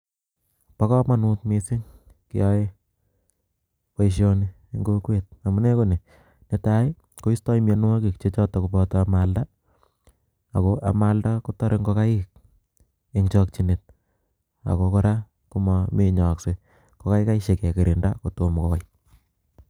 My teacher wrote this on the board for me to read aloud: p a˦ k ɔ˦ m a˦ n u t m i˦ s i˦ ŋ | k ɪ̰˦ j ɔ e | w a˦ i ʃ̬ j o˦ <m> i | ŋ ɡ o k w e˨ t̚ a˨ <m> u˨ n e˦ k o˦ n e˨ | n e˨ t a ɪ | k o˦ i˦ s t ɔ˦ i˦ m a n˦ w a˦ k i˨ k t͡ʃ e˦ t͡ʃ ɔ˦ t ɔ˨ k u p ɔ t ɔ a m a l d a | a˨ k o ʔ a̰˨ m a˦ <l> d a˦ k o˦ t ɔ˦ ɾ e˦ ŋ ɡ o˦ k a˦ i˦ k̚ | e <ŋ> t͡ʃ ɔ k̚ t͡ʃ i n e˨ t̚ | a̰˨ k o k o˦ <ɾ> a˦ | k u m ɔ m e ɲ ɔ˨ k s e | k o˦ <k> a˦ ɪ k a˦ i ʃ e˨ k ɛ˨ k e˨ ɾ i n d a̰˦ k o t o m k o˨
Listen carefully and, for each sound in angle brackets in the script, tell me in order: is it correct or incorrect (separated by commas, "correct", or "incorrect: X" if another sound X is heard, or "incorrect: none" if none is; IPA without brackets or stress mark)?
incorrect: n, correct, correct, correct, correct, correct